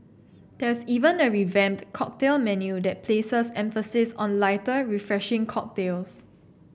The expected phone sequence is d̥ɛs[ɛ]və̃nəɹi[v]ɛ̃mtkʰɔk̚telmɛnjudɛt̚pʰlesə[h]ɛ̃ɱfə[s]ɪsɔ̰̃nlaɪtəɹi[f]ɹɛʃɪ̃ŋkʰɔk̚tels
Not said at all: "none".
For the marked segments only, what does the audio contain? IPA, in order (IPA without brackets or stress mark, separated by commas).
i, v, s, s, f